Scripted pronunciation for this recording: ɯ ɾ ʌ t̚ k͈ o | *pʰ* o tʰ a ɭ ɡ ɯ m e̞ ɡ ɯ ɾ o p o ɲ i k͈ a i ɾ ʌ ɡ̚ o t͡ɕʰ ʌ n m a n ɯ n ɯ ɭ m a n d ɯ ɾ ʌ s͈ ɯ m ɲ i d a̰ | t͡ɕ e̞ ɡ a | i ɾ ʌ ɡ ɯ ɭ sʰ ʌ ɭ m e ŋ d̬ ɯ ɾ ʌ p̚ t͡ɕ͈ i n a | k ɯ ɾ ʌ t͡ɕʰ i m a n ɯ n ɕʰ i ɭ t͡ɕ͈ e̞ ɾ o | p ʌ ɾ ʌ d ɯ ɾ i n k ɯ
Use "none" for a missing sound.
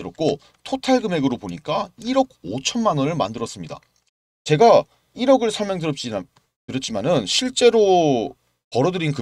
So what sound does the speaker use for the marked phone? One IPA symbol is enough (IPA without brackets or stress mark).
tʰ